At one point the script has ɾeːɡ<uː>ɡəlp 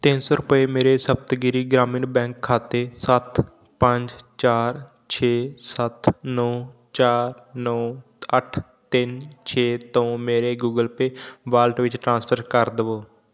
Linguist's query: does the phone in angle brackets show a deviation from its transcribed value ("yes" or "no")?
no